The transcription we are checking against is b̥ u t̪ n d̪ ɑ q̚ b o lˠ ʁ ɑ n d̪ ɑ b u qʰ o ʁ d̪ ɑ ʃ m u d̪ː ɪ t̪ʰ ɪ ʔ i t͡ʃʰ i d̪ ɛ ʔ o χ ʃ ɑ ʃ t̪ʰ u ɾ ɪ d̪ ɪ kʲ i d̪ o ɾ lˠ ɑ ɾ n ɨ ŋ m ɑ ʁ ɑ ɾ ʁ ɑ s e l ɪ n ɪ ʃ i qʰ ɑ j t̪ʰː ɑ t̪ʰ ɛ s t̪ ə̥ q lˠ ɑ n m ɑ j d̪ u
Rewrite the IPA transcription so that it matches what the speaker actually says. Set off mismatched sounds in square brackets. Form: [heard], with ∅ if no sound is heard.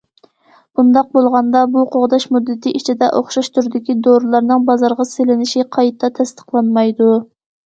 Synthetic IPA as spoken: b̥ u [∅] n d̪ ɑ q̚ b o lˠ ʁ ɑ n d̪ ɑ b u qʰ o ʁ d̪ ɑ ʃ m u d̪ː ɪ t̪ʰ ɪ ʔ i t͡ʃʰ i d̪ ɛ ʔ o χ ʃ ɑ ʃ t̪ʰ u ɾ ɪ d̪ ɪ kʲ i d̪ o ɾ lˠ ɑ ɾ n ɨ ŋ [b] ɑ [z] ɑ ɾ ʁ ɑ s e l ɪ n ɪ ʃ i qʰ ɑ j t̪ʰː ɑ t̪ʰ ɛ s t̪ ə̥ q lˠ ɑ n m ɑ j d̪ u

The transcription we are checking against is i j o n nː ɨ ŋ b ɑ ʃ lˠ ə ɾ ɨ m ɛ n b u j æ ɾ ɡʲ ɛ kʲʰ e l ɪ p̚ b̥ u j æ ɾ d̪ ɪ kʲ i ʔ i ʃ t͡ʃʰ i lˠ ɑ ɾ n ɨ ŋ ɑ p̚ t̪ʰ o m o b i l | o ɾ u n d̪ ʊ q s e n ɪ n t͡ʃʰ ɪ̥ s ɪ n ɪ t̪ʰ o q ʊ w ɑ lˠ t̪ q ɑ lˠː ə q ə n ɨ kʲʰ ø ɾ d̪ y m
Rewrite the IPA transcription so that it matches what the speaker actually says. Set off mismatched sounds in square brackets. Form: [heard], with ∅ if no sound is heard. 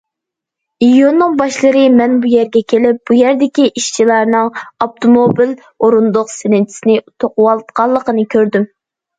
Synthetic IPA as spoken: i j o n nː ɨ ŋ b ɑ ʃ lˠ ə ɾ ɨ m ɛ n b u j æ ɾ ɡʲ ɛ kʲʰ e l ɪ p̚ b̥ u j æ ɾ d̪ ɪ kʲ i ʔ i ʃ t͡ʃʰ i lˠ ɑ ɾ n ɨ ŋ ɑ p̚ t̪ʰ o m o b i l | o ɾ u n d̪ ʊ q s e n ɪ n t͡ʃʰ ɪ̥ s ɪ n ɪ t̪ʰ o q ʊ w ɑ lˠ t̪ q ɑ lˠː ə q ə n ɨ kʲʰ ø ɾ d̪ y m

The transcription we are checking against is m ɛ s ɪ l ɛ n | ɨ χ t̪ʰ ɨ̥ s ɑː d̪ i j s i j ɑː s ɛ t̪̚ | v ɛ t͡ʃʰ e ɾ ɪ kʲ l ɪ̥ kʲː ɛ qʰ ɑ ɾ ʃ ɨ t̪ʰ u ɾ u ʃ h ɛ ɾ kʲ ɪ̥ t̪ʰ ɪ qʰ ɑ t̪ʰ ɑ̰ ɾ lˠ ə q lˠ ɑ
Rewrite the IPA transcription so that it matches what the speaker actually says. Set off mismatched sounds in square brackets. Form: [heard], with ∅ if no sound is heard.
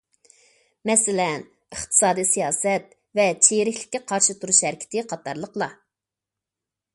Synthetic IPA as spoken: m ɛ s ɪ l ɛ n | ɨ χ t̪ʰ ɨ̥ s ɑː d̪ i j s i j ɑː s ɛ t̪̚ | v ɛ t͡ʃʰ e ɾ ɪ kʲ l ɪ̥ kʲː ɛ qʰ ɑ ɾ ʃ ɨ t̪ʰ u ɾ u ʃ h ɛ ɾ kʲ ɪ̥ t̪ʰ ɪ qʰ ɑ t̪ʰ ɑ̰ ɾ lˠ ə q lˠ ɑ

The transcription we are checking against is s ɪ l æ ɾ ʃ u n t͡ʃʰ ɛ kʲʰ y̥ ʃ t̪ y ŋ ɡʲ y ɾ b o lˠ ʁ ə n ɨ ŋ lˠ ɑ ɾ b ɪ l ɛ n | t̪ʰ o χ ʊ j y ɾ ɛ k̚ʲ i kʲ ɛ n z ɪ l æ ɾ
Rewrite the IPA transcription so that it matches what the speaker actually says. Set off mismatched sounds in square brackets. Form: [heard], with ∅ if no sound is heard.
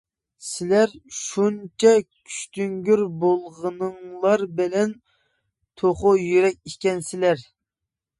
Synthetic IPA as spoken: s ɪ l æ ɾ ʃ u n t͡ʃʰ ɛ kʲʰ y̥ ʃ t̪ y ŋ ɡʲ y ɾ b o lˠ ʁ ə n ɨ ŋ lˠ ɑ ɾ b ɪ l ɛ n | t̪ʰ o χ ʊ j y ɾ ɛ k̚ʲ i kʲ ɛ n [s] ɪ l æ ɾ

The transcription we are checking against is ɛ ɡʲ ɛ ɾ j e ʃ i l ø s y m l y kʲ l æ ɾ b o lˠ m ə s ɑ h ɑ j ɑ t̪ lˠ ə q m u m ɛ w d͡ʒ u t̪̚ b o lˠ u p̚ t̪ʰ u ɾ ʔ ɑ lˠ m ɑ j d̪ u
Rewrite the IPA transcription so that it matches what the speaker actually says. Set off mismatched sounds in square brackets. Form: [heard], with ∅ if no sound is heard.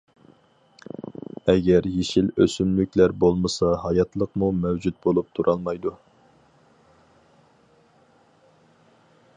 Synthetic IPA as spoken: ɛ ɡʲ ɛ ɾ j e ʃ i l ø s y m l y kʲ l æ ɾ b o lˠ m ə s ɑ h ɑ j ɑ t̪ lˠ ə q m u m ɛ w d͡ʒ u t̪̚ b o lˠ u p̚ t̪ʰ u ɾ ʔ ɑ lˠ m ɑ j d̪ u

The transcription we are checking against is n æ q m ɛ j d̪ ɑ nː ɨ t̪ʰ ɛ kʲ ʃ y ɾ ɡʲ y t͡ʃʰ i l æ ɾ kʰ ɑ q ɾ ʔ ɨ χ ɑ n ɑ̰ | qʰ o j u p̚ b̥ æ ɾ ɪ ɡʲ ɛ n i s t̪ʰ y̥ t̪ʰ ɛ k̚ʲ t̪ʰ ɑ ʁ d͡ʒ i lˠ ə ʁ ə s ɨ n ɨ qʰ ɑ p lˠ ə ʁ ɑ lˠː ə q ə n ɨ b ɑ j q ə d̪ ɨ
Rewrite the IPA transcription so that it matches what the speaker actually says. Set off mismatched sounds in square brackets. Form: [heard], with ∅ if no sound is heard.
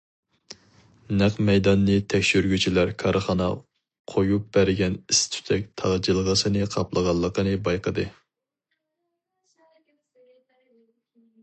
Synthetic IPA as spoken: n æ q m ɛ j d̪ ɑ nː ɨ t̪ʰ ɛ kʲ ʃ y ɾ ɡʲ y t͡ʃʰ i l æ ɾ kʰ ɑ [∅] ɾ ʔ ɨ χ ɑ n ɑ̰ | qʰ o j u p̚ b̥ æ ɾ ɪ ɡʲ ɛ n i s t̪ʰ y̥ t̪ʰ ɛ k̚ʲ t̪ʰ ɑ ʁ d͡ʒ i lˠ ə ʁ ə s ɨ n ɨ qʰ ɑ p lˠ ə ʁ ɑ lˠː ə q ə n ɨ b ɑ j q ə d̪ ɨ

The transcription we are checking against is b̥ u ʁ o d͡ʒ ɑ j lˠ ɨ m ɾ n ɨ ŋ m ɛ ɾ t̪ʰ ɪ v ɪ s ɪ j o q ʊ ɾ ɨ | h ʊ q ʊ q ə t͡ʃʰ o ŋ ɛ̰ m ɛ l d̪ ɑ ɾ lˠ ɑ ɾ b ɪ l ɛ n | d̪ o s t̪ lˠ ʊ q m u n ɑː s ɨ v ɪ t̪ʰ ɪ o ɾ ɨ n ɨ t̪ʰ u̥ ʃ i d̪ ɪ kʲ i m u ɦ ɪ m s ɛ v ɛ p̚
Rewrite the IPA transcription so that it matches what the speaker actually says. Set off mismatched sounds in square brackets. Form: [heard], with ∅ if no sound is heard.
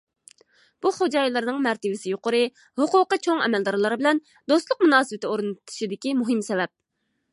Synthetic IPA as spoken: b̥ u [χ] o d͡ʒ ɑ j lˠ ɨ [∅] ɾ n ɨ ŋ m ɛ ɾ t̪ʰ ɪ v ɪ s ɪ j o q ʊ ɾ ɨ | h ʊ q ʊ q ə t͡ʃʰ o ŋ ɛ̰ m ɛ l d̪ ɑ ɾ lˠ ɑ ɾ b ɪ l ɛ n | d̪ o s t̪ lˠ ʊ q m u n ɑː s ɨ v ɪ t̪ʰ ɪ o ɾ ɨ n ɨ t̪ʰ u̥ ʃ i d̪ ɪ kʲ i m u ɦ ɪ m s ɛ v ɛ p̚

